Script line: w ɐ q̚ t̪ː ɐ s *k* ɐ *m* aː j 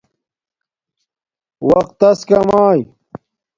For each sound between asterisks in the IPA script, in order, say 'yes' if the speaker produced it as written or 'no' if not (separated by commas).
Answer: yes, yes